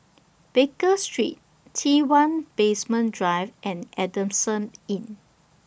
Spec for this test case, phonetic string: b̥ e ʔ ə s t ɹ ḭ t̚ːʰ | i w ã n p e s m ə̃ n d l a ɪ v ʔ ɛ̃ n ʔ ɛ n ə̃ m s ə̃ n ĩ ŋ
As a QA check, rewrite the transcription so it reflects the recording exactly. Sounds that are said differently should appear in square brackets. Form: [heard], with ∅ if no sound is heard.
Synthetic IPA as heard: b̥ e [k] ə s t ɹ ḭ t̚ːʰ | i w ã n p e s m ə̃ n d [ɹ] a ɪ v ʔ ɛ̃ n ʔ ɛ [d] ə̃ m s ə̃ n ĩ [n]